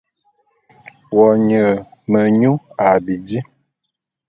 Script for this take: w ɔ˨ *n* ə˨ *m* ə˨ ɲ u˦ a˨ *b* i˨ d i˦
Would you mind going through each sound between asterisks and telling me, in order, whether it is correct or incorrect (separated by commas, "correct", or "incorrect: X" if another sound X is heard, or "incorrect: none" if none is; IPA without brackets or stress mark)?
incorrect: ɲ, correct, correct